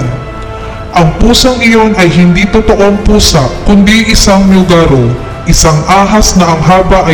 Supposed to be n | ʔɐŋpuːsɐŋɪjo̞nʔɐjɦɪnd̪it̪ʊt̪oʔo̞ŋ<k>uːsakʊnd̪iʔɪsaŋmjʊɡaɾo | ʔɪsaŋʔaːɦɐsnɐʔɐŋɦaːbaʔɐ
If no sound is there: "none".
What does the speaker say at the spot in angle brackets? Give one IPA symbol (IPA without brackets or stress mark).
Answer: p